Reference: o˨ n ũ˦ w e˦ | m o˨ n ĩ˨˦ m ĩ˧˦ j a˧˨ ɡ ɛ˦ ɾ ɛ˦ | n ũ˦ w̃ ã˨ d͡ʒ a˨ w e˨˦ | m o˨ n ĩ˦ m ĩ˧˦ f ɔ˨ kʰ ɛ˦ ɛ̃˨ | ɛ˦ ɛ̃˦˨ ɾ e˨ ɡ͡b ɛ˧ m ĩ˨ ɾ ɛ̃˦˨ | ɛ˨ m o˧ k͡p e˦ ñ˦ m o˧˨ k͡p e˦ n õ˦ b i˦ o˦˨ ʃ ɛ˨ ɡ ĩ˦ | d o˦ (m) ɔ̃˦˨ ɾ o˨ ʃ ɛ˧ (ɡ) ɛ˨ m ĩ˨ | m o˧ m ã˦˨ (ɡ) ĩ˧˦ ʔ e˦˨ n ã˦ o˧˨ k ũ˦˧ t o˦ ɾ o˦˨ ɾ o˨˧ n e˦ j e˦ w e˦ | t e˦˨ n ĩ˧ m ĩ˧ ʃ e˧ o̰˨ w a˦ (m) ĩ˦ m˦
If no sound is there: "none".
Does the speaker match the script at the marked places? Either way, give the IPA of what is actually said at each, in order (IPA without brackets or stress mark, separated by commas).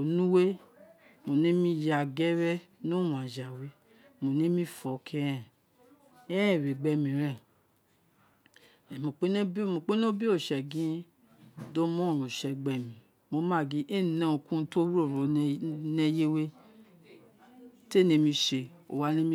m, ɡ͡b, ɡ, n